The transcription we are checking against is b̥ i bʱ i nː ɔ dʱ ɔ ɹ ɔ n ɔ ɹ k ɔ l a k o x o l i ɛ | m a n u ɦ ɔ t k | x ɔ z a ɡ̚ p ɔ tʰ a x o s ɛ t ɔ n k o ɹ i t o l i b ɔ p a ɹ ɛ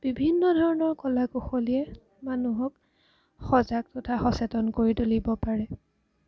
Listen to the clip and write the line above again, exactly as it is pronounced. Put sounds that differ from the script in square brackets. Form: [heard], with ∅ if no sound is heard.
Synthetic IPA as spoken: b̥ i bʱ i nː ɔ dʱ ɔ ɹ ɔ n ɔ ɹ k ɔ l a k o x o l i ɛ | m a n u ɦ ɔ [∅] k | x ɔ z a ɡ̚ [t] ɔ tʰ a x [ɔ] s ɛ t ɔ n k o ɹ i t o l i b ɔ p a ɹ ɛ